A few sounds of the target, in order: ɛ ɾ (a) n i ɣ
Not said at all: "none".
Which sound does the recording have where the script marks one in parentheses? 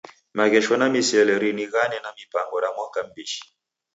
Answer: i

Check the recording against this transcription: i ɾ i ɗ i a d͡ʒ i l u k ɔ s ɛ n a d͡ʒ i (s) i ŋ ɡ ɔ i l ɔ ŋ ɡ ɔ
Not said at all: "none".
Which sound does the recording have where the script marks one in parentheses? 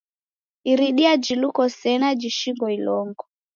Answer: ʃ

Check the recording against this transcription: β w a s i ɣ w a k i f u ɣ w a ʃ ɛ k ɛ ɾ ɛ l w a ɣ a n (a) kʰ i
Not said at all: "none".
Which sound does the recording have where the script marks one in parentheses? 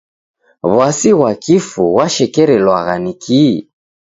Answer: i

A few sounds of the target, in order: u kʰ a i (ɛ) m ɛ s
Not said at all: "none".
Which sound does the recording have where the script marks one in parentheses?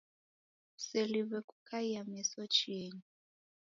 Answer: a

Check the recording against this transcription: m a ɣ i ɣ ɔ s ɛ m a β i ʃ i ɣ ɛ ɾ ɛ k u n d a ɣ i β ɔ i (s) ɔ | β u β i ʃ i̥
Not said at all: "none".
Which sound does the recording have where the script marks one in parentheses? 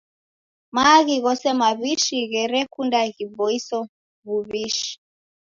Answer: s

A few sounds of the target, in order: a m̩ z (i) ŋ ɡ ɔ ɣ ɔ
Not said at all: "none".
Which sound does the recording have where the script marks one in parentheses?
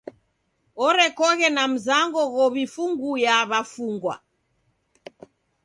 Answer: a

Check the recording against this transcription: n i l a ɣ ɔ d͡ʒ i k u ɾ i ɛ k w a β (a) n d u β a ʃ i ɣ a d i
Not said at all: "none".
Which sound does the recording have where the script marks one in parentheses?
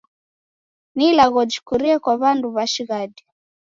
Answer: a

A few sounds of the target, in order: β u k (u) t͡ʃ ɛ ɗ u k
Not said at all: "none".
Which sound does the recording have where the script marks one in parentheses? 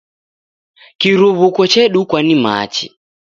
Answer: ɔ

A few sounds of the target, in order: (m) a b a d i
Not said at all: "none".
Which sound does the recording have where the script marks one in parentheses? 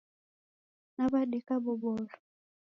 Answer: n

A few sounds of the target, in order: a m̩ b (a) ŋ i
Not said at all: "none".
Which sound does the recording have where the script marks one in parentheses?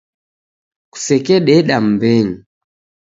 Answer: ɛ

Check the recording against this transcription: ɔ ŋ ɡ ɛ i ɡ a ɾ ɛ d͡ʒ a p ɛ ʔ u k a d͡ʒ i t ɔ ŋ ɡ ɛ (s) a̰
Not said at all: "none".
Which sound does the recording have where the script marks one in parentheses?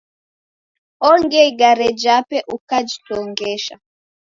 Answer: ʃ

